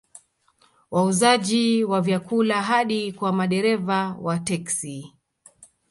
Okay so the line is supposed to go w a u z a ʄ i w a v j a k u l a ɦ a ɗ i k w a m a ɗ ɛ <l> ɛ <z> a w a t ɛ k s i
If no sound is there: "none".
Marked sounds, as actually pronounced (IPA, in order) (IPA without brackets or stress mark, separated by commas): ɾ, v